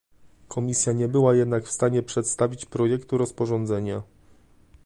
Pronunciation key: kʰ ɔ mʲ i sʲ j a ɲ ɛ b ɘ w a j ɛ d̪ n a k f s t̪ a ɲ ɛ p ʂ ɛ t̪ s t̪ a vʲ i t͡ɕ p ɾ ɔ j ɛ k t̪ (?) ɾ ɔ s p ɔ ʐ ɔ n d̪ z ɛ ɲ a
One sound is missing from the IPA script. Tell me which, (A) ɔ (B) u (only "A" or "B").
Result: B